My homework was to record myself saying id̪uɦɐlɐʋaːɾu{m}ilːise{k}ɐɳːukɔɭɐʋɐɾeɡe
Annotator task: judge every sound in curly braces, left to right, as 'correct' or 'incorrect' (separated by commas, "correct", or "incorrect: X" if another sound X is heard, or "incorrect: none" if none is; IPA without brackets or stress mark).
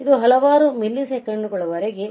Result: correct, correct